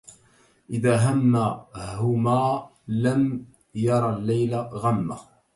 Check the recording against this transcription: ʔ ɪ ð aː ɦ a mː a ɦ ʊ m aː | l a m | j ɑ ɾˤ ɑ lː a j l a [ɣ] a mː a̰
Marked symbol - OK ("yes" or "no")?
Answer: yes